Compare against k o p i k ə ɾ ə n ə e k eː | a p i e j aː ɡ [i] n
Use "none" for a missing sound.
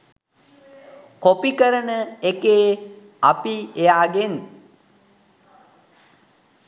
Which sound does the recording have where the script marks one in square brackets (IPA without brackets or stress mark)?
e